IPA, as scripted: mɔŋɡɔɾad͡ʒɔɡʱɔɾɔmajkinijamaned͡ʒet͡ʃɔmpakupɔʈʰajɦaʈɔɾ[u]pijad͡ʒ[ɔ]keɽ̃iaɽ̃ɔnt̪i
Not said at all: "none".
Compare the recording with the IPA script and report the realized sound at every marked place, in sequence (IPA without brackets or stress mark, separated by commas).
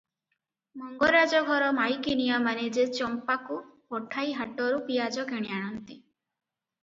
u, ɔ